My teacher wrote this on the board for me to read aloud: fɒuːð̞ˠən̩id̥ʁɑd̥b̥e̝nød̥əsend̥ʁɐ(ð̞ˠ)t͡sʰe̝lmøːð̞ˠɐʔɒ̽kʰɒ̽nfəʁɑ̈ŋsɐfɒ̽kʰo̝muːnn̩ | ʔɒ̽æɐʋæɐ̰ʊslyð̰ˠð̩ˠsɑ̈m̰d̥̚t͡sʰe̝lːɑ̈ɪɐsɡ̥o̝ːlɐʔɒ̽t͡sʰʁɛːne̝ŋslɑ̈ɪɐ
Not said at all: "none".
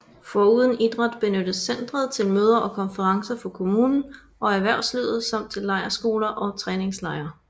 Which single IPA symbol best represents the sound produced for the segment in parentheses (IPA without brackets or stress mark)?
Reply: ð̞ˠ